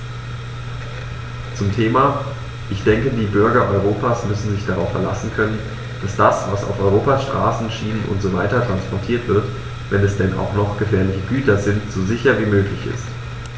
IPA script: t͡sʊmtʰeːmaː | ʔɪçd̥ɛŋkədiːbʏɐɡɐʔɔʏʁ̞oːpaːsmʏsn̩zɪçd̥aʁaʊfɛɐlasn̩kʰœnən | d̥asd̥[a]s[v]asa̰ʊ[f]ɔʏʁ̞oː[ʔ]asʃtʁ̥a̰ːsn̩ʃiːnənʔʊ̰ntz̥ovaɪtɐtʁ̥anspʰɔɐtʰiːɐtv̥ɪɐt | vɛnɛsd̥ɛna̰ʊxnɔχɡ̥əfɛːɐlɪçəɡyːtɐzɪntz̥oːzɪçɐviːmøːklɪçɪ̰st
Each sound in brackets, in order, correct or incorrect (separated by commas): correct, correct, correct, incorrect